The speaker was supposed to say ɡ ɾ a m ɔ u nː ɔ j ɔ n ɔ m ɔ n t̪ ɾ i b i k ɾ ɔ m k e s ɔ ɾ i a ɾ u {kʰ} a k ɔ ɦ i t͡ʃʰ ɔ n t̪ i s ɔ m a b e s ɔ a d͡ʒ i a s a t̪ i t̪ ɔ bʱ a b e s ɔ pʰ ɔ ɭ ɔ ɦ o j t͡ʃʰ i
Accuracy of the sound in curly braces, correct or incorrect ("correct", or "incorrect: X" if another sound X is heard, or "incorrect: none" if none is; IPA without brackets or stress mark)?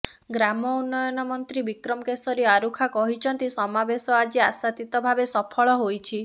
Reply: correct